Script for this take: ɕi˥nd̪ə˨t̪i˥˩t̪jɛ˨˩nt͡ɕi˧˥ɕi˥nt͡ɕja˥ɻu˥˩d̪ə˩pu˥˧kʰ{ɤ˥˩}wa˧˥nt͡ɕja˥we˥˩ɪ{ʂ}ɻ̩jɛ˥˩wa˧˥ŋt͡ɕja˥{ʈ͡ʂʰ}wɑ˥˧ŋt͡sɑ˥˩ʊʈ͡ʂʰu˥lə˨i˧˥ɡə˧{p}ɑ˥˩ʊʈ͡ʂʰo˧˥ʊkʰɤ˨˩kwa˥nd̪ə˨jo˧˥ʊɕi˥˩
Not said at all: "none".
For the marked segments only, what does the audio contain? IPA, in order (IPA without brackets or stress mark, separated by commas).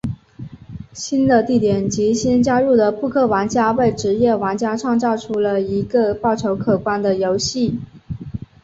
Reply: ɤ˥˩, ʈ͡ʂ, ʈ͡ʂʰ, p